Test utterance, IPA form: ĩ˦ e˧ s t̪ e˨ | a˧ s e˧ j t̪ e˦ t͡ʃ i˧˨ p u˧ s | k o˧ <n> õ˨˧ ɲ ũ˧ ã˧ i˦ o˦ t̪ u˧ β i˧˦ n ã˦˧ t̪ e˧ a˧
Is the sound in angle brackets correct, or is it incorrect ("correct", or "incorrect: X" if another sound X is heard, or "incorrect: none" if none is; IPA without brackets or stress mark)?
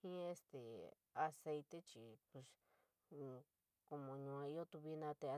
incorrect: m